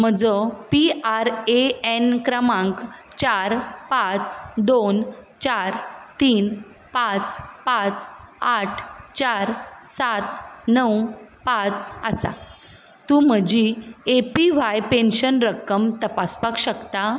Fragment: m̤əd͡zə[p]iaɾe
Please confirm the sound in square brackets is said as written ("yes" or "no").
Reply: yes